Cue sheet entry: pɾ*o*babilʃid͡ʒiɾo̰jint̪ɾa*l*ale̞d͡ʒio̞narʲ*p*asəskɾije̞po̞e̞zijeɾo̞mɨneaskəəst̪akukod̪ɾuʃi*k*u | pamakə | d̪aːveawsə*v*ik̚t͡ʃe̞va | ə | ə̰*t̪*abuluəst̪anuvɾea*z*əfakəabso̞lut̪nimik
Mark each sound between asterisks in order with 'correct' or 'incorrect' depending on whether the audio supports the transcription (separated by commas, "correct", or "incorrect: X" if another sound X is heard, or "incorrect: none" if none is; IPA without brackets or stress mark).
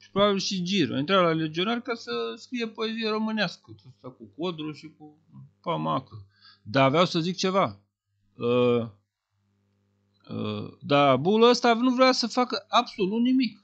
correct, correct, incorrect: k, correct, incorrect: z, incorrect: d̪, incorrect: s